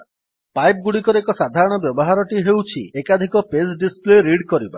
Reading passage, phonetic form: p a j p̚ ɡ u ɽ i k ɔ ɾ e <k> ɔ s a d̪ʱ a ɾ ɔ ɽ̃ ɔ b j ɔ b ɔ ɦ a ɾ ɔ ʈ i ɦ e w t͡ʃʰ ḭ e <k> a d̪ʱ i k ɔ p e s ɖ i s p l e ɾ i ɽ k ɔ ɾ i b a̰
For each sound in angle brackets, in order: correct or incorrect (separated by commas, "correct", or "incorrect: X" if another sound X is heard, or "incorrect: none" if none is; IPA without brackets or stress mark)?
correct, correct